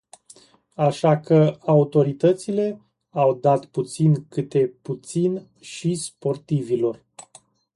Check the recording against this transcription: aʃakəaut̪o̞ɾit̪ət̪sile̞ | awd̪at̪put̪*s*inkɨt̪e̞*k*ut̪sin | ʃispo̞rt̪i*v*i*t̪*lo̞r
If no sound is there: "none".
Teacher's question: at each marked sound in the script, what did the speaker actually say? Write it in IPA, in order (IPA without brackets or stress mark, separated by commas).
s, p, v, none